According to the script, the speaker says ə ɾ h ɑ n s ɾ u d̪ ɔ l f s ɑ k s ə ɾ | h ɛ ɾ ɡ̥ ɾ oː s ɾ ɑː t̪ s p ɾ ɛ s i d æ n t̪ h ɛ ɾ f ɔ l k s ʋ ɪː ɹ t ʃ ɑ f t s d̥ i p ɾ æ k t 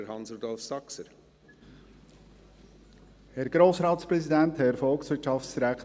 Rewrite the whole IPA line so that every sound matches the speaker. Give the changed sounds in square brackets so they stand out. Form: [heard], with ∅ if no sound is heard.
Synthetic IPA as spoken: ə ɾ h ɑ n s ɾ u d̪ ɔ l f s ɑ k s ə ɾ | h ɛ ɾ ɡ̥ ɾ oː s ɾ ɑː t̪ s p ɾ ɛ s i d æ n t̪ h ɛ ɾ f ɔ l k s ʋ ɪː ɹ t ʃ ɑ f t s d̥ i [∅] ɾ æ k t